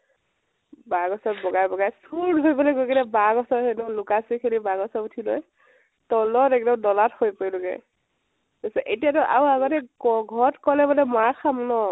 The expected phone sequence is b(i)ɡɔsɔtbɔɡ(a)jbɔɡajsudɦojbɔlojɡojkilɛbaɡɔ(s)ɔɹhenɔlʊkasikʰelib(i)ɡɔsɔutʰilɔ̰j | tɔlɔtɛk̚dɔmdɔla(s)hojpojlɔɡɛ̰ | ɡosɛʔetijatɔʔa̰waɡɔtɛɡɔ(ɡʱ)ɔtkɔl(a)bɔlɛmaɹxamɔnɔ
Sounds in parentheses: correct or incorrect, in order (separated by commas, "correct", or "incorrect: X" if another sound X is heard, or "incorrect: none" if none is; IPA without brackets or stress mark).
incorrect: a, correct, correct, incorrect: a, incorrect: t, correct, incorrect: ɛ